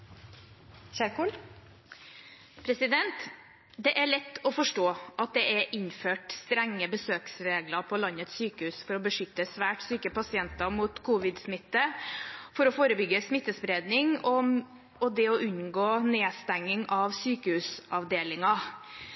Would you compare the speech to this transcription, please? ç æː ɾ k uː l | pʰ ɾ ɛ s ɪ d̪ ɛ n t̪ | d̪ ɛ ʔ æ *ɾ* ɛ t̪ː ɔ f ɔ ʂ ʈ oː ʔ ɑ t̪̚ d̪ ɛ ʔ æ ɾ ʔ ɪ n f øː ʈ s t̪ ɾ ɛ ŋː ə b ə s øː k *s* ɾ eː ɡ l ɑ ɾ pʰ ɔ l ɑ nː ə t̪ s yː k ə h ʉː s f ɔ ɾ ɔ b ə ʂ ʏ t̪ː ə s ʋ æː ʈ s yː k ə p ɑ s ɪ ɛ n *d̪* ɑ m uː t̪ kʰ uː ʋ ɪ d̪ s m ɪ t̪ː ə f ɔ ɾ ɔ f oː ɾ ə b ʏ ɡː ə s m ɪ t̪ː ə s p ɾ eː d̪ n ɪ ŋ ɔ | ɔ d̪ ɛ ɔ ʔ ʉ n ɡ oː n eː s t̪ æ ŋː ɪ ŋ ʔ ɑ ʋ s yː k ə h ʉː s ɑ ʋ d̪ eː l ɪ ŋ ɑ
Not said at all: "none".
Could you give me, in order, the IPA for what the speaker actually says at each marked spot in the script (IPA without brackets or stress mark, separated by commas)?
ɭ, s, t̪